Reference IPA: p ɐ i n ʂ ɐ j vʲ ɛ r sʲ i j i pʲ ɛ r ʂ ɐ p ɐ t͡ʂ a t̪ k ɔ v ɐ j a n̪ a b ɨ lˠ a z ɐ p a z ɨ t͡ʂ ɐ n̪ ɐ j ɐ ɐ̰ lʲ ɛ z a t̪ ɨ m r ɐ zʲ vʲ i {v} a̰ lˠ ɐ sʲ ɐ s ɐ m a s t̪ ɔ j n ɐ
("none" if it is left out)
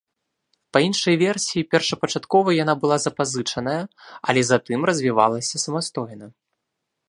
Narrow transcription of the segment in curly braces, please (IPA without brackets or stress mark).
v